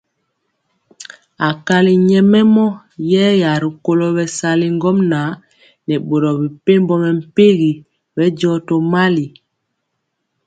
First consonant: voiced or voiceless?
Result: voiceless